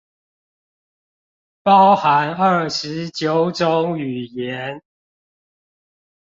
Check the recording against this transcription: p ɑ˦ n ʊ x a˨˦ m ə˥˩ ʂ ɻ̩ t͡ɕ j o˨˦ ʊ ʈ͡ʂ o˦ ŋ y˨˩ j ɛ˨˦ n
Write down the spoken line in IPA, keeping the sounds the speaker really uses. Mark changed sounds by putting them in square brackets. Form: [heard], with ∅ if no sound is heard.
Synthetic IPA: p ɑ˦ [∅] ʊ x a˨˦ [n] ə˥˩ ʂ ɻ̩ t͡ɕ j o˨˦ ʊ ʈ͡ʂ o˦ ŋ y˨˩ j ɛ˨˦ n